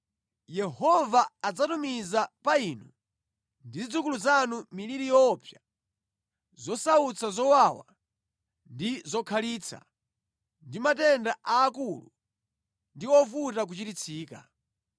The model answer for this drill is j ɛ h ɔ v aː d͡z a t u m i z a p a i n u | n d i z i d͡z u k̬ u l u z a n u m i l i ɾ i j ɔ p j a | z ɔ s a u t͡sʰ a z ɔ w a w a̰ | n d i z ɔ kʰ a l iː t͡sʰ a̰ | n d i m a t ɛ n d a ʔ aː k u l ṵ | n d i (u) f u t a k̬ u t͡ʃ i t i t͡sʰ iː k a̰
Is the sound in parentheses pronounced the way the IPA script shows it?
no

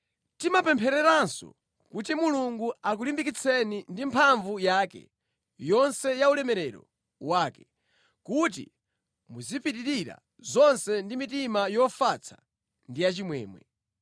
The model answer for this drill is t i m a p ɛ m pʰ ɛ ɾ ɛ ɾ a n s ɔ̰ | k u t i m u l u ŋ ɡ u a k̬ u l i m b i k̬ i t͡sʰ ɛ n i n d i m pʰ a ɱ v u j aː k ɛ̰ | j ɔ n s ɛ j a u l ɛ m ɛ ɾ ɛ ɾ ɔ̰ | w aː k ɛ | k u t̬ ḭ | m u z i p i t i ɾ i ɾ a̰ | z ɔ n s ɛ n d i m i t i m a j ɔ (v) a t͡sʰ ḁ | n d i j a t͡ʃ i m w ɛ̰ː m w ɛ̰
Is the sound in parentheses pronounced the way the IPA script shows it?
no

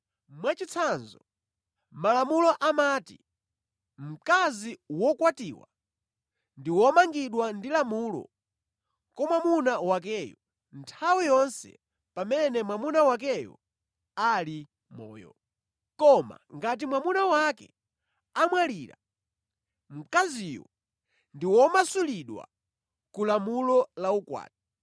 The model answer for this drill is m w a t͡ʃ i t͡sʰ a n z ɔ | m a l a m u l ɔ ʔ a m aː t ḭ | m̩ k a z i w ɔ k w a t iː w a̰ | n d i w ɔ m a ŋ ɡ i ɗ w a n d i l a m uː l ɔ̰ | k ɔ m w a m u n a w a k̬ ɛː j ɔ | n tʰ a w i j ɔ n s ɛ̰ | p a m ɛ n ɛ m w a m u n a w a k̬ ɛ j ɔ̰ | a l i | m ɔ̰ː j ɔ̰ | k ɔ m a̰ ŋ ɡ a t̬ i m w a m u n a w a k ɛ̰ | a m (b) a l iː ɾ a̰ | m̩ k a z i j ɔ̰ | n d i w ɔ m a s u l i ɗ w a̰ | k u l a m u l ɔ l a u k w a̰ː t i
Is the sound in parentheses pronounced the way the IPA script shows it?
no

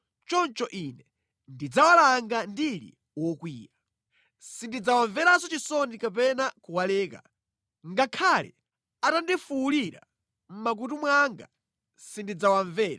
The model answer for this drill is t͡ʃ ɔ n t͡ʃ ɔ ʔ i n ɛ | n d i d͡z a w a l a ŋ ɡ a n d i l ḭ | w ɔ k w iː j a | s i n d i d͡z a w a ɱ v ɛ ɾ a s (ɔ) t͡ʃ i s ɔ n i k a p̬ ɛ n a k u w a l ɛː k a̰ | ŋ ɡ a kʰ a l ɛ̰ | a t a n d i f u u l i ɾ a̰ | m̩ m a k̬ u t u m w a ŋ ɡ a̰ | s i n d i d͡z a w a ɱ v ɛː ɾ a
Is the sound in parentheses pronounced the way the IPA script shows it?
yes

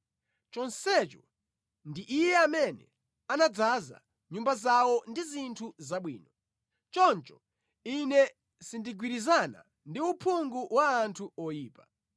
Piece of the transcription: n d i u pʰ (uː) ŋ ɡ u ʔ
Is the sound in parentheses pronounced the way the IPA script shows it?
no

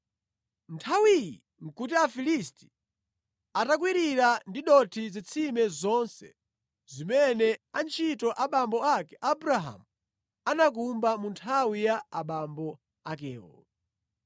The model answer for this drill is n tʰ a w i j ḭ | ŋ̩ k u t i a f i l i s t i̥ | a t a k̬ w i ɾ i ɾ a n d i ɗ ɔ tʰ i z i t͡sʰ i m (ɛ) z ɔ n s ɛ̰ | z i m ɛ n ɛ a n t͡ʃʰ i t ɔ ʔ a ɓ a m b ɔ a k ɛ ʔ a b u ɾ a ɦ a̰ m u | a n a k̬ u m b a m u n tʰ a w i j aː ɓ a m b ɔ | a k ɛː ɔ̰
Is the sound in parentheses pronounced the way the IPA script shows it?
yes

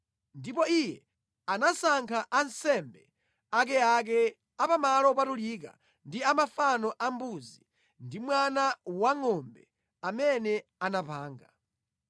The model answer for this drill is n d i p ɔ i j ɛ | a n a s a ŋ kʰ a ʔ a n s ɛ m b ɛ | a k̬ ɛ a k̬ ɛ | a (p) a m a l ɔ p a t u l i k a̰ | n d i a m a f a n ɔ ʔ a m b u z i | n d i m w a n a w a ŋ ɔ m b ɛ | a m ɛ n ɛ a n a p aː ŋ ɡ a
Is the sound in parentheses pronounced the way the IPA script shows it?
yes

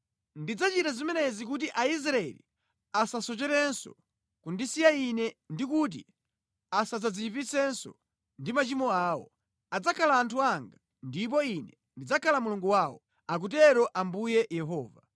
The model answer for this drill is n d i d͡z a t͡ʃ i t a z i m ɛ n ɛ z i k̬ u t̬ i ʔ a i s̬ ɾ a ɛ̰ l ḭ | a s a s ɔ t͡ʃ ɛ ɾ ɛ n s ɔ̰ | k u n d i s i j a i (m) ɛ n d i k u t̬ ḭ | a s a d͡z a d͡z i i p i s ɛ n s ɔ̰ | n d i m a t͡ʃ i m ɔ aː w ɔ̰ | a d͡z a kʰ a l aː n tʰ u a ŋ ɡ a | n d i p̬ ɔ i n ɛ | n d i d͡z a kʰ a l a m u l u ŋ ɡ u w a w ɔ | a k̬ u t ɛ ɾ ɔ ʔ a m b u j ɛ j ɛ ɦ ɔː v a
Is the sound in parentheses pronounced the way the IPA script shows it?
no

